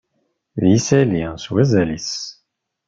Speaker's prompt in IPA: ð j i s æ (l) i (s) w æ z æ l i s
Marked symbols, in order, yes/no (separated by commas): yes, yes